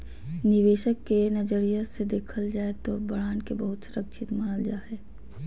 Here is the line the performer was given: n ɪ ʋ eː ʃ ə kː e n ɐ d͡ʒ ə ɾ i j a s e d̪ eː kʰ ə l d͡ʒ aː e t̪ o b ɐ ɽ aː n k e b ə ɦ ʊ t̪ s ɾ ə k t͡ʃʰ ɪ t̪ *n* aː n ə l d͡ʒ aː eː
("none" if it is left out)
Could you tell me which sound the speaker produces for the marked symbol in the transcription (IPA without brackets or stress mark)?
m